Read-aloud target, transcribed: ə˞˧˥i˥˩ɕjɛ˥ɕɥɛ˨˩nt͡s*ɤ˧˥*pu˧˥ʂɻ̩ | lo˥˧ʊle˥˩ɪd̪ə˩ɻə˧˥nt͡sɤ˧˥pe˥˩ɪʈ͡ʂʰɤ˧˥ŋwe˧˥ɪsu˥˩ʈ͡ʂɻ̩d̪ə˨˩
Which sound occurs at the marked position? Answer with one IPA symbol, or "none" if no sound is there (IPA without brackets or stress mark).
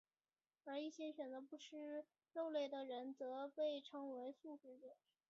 ɤ˧˥